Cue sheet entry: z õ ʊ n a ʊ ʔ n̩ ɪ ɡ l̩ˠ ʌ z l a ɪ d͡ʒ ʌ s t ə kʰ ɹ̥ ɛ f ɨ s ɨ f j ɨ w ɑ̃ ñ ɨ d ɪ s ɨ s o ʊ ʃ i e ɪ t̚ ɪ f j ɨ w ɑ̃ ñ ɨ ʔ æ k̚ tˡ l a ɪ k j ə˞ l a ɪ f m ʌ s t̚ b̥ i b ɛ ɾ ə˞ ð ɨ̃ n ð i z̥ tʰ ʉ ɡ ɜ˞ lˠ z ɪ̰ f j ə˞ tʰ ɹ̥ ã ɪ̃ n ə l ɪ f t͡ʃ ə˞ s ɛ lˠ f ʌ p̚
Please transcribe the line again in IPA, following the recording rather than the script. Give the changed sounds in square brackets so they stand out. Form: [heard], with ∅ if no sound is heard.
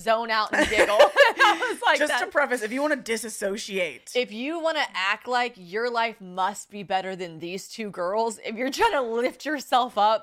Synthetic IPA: z õ [ʊ̃] n a ʊ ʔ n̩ ɪ ɡ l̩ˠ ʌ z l a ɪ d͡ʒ ʌ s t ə [pʰ] ɹ̥ ɛ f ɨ s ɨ f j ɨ w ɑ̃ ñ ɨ d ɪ s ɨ s o ʊ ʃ i e ɪ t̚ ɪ f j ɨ w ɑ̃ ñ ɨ ʔ æ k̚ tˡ l a ɪ k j ə˞ l a ɪ f m ʌ s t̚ b̥ i b ɛ ɾ ə˞ ð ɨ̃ n ð i z̥ tʰ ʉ ɡ ɜ˞ lˠ z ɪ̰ f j ə˞ tʰ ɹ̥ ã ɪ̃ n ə l ɪ f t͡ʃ ə˞ s ɛ lˠ f ʌ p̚